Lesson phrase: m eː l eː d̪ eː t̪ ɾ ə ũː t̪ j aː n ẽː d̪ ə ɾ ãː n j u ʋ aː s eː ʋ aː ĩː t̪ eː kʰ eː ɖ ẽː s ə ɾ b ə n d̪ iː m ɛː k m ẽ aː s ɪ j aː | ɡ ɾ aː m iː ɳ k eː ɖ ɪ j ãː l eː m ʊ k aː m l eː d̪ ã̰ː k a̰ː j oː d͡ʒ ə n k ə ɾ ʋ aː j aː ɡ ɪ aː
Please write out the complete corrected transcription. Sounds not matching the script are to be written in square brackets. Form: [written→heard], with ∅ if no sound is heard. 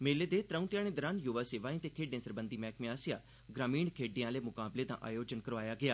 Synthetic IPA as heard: m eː l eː d̪ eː t̪ ɾ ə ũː t̪ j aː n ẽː d̪ ə ɾ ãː n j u ʋ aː s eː ʋ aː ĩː t̪ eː kʰ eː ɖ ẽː s ə ɾ b ə n d̪ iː m ɛː k m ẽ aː s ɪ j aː | ɡ ɾ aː m iː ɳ [k→kʰ] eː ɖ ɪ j ãː l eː m ʊ k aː [m→b] l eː d̪ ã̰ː [k→ʔ] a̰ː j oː d͡ʒ ə n k ə ɾ ʋ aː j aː ɡ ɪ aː